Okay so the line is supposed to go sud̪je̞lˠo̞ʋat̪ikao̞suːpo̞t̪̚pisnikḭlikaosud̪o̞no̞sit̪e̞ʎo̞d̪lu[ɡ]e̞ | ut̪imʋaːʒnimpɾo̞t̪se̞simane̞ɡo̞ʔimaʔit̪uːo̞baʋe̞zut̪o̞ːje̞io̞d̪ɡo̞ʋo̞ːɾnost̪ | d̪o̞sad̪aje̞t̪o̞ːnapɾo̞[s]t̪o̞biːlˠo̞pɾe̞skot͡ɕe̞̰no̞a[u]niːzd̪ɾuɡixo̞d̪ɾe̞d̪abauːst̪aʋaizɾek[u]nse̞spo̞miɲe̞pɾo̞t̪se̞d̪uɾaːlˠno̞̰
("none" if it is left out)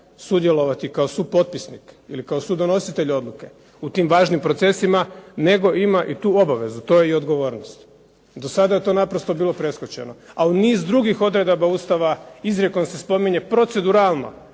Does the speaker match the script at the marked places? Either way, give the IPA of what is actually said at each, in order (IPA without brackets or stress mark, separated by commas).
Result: k, s, u, o